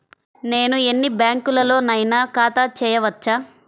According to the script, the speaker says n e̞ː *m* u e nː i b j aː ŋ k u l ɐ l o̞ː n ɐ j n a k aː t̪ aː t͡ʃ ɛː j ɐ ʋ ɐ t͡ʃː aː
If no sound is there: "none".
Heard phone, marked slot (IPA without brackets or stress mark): n